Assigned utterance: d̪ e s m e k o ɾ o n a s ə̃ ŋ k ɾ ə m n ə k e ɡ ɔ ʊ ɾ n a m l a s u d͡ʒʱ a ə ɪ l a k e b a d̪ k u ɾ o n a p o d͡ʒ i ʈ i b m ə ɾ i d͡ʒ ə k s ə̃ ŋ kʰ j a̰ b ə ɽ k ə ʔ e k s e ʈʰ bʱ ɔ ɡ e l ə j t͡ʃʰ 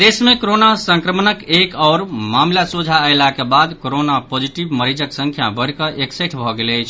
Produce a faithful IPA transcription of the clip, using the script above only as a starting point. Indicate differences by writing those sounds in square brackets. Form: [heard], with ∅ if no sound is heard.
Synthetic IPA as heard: d̪ e s m e k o ɾ o n a s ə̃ ŋ k ɾ ə m n ə k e [k] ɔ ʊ ɾ [m] a m l a s u d͡ʒʱ a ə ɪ l a k e b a d̪ k [o] ɾ o n a p o d͡ʒ i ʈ i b m ə ɾ i d͡ʒ ə k s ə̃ ŋ kʰ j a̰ b ə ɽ k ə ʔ e k s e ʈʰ bʱ ɔ ɡ e l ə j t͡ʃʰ